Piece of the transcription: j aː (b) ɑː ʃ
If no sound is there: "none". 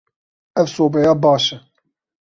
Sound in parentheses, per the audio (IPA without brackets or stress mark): b